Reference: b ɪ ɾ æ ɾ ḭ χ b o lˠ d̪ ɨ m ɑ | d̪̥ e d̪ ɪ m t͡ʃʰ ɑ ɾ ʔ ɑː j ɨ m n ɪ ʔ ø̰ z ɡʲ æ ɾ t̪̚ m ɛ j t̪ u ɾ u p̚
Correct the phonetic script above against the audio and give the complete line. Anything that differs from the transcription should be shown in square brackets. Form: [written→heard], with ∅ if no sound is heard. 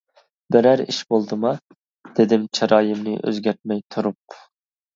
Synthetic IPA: b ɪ ɾ æ ɾ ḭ [χ→ʃ] b o lˠ d̪ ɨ m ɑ | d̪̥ e d̪ ɪ m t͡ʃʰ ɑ ɾ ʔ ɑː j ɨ m n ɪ ʔ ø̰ z ɡʲ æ ɾ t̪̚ m ɛ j [t̪→t̪ʰ] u ɾ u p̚